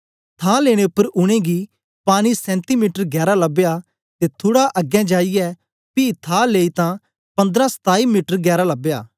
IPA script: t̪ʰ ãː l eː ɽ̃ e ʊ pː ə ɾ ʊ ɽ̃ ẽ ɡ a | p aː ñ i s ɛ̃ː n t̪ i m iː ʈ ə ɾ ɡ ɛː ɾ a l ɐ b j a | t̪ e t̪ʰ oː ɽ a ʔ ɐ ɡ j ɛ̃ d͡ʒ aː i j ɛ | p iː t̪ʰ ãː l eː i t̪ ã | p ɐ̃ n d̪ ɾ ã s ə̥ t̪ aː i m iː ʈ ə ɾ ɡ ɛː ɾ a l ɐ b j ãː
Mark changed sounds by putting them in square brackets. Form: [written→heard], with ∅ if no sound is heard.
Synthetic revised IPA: t̪ʰ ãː l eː ɽ̃ e ʊ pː ə ɾ ʊ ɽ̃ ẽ ɡ [a→i] | p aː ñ i s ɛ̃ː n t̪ i m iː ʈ ə ɾ ɡ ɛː ɾ a l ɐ b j a | t̪ e t̪ʰ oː ɽ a ʔ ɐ ɡ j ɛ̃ d͡ʒ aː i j ɛ | p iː t̪ʰ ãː l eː i t̪ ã | p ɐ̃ n d̪ ɾ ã s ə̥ t̪ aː i m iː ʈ ə ɾ ɡ ɛː ɾ a l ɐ b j [ãː→aː]